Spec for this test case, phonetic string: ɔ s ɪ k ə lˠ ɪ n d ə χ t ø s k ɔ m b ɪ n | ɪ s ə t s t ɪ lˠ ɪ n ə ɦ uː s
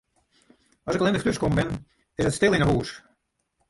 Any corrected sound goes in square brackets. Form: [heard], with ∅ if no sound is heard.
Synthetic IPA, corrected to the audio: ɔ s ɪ k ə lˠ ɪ n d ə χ t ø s k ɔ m b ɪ n | ɪ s ə t s t ɪ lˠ ɪ n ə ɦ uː s